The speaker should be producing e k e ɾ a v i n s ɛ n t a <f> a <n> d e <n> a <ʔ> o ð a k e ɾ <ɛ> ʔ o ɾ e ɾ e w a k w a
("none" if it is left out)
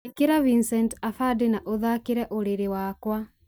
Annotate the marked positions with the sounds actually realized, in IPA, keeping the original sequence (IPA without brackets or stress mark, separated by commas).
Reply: f, none, n, ʔ, ɛ